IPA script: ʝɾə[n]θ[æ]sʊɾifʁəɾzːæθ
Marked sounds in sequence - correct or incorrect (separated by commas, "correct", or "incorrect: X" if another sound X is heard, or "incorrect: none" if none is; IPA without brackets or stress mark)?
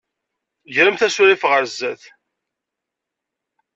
incorrect: m, correct